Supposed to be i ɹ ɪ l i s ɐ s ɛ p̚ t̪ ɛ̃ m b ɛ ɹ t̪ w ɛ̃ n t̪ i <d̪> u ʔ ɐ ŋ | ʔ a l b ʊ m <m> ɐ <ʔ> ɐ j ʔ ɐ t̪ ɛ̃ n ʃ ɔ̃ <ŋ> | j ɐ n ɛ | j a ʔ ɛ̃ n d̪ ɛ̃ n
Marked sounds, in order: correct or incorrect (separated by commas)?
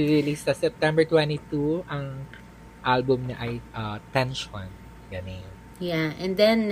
incorrect, incorrect, correct, incorrect